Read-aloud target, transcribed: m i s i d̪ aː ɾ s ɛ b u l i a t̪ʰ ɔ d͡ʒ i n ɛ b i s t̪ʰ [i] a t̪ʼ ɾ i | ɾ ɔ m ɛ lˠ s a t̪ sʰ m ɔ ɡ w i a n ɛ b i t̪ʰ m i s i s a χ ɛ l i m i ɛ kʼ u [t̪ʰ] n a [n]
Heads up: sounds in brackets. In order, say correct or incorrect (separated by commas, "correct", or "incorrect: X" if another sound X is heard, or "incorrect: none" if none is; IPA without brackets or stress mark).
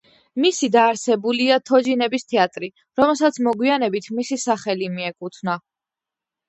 incorrect: ɛ, correct, incorrect: none